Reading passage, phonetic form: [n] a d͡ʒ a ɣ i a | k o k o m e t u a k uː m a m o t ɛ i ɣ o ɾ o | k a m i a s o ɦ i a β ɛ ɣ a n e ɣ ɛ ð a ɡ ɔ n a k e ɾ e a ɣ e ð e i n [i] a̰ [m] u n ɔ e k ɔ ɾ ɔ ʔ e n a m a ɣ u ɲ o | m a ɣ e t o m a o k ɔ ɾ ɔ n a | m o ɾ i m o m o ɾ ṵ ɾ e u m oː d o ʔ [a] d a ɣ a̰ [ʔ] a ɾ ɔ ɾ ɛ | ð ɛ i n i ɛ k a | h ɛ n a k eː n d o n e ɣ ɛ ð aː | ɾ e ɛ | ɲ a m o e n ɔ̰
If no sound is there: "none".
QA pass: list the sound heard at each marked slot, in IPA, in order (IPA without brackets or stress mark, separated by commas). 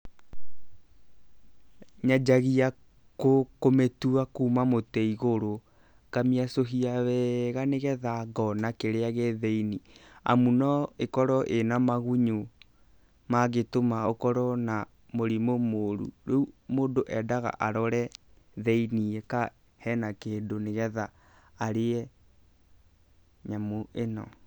ɲ, i, m, ɛ, ʔ